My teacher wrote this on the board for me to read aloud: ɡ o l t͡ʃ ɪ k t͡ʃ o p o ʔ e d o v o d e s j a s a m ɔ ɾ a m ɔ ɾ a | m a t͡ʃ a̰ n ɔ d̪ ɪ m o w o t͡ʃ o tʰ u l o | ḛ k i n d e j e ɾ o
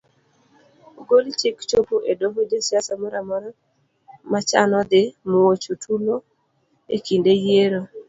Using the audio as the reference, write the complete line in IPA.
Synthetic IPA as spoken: ɡ o l t͡ʃ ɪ k t͡ʃ o p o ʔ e d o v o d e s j a s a m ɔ ɾ a m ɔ ɾ a | m a t͡ʃ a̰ n ɔ d̪ ɪ m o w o t͡ʃ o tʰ u l o | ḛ k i n d e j e ɾ o